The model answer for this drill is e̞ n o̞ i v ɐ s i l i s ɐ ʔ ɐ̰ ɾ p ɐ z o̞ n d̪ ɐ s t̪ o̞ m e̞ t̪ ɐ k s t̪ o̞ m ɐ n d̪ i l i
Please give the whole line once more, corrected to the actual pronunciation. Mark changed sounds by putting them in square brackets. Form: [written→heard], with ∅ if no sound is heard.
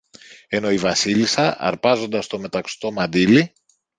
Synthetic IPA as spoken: e̞ n o̞ i v ɐ s i l i s ɐ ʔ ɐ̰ ɾ p ɐ z o̞ n d̪ ɐ s t̪ o̞ m e̞ t̪ ɐ k s t̪ o̞ m ɐ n d̪ i l i